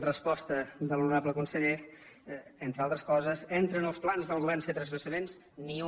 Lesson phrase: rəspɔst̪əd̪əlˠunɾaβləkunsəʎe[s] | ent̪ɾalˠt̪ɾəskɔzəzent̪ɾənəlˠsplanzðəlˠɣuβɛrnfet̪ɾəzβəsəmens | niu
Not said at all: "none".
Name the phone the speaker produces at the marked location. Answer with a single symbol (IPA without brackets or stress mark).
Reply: none